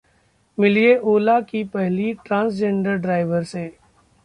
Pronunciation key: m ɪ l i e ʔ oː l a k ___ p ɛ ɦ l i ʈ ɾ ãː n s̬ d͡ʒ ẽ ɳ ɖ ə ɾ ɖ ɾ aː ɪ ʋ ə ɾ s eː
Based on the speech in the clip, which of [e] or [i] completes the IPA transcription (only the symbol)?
i